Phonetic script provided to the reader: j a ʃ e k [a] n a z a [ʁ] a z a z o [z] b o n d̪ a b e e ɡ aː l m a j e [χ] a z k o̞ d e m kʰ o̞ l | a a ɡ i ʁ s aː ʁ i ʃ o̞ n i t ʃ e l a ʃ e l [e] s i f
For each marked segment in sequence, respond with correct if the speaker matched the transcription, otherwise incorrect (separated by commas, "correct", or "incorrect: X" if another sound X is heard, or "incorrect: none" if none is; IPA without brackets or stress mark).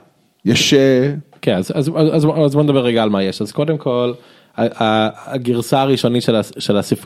incorrect: e, incorrect: z, correct, incorrect: ʃ, incorrect: a